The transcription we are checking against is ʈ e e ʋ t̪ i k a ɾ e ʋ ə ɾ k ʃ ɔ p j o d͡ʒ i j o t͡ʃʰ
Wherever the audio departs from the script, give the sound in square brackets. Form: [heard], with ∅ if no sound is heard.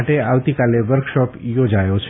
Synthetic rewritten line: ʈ e [a] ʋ t̪ i k a [l] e ʋ ə ɾ k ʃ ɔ p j o d͡ʒ [a] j o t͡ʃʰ